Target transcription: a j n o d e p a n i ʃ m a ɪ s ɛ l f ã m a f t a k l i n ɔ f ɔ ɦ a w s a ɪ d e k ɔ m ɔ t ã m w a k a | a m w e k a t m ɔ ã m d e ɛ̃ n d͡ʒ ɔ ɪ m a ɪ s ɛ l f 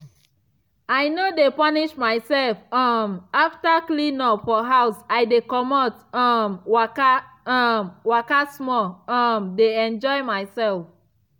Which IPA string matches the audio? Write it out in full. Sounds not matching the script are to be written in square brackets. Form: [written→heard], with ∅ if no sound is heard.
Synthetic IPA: a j n o d e p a n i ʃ m a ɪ s ɛ l f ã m a f t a k l i n ɔ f ɔ ɦ a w s a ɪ d e k ɔ m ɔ t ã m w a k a | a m w [e→a] k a [t→s] m ɔ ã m d e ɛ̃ n d͡ʒ ɔ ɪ m a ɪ s ɛ l f